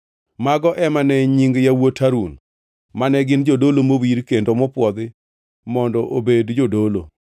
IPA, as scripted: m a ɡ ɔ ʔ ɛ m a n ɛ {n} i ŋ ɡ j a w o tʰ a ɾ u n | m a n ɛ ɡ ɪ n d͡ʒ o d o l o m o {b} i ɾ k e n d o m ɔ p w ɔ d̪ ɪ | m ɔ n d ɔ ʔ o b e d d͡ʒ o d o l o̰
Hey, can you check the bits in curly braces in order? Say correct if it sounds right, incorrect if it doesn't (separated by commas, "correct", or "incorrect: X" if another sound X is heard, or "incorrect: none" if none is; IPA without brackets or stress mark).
incorrect: ɲ, incorrect: w